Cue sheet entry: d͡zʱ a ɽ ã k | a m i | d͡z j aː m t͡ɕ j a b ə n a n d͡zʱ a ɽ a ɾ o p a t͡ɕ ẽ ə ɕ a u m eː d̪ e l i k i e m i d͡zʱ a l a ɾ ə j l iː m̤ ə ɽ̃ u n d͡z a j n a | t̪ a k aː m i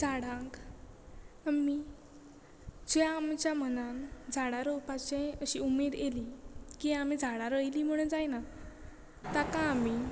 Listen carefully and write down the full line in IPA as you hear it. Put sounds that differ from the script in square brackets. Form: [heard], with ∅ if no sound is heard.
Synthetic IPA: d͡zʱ a ɽ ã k | a m i | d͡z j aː m t͡ɕ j a [m] ə n a n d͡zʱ a ɽ a ɾ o p a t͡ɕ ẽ ə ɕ [i] u m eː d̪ e l i k i [a] m i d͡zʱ a [ɽ] a ɾ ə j l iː m̤ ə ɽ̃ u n d͡z a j n a | t̪ a k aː m i